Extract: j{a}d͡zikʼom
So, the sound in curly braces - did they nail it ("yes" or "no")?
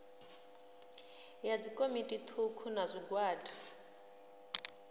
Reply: yes